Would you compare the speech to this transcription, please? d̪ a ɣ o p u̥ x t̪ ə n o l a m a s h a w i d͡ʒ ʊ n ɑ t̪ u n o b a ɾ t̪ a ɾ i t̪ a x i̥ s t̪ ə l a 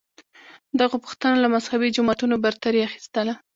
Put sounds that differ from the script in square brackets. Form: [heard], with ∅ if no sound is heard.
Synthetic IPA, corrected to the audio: d̪ a ɣ o p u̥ x t̪ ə n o l a m a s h a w i d͡ʒ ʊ [m] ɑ t̪ u n o b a ɾ t̪ a ɾ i [∅] a x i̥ s t̪ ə l a